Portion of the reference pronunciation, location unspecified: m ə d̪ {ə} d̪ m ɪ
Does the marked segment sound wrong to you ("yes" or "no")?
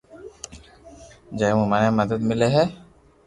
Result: no